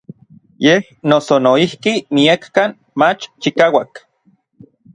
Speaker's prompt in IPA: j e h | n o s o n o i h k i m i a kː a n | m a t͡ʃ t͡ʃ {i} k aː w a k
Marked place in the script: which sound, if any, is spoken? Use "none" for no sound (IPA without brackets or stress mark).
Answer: i